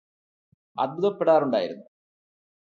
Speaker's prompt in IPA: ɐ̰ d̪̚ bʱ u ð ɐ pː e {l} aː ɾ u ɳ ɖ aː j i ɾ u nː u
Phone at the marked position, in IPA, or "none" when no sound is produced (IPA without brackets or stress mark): ɽ